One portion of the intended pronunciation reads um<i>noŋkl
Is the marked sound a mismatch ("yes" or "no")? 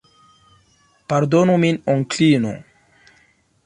no